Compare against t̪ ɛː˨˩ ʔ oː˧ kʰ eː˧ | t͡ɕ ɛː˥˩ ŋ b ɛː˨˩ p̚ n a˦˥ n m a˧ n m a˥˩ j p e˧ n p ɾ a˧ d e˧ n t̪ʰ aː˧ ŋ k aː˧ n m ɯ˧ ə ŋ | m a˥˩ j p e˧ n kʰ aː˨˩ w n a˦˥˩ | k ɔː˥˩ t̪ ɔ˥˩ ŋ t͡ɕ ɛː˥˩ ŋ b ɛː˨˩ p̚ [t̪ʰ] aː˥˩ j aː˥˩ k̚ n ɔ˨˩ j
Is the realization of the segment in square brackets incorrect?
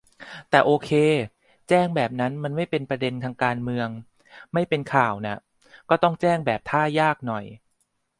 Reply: no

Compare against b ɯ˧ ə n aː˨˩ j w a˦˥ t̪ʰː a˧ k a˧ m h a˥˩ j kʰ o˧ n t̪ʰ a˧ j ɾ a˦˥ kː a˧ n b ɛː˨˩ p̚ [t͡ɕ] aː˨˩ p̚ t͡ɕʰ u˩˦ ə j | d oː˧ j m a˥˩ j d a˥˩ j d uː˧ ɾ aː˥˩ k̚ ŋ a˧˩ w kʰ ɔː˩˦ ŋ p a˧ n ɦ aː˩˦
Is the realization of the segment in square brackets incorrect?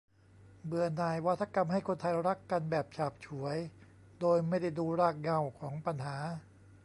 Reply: yes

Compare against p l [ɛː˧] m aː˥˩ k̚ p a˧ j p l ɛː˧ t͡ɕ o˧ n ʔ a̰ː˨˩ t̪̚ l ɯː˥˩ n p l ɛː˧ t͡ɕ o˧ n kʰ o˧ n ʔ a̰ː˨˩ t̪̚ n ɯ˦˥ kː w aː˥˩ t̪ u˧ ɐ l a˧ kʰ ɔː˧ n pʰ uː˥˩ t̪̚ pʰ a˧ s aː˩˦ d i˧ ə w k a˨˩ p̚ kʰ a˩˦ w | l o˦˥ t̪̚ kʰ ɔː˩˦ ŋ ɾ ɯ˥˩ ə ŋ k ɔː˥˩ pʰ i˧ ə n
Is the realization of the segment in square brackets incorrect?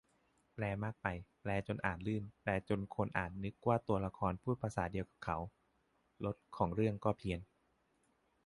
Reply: no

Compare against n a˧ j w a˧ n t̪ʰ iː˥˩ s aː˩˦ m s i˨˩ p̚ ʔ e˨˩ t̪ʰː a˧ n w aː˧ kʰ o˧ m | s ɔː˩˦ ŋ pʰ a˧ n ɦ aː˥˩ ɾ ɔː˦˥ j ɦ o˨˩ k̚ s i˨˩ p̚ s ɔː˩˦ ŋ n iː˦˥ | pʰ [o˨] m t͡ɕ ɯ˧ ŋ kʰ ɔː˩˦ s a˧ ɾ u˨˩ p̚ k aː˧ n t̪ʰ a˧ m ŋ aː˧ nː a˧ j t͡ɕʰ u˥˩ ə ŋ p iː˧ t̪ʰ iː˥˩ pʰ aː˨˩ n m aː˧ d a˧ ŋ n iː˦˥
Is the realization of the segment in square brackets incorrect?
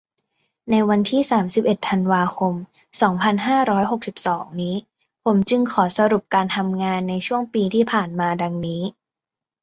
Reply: yes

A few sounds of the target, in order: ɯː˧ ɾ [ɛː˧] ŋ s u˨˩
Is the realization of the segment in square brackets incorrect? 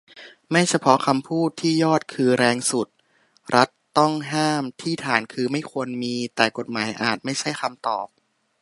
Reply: no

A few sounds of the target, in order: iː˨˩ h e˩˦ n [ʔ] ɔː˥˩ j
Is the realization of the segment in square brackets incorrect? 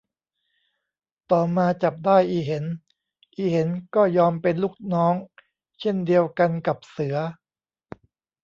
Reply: yes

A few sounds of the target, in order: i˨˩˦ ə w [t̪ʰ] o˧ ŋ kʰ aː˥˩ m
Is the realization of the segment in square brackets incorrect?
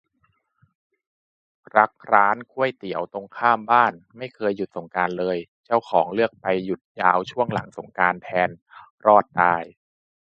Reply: yes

